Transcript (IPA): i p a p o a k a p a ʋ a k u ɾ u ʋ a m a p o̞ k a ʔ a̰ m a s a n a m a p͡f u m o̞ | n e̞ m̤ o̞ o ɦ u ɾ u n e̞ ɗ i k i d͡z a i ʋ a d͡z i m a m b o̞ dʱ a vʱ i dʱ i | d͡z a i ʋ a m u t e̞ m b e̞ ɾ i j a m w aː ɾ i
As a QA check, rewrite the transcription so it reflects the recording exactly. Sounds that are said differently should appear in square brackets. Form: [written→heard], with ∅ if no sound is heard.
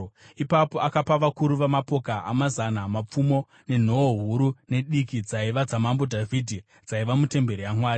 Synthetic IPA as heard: i p a p o a k a p a ʋ a k u ɾ u ʋ a m a p o̞ k a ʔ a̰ m a [s→z] a n a m a p͡f u m o̞ | n e̞ [m̤→n̤] o̞ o ɦ u ɾ u n e̞ ɗ i k i d͡z a i ʋ a d͡z [i→a] m a m b o̞ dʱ a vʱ i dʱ i | d͡z a i ʋ a m u t e̞ m b e̞ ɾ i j a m w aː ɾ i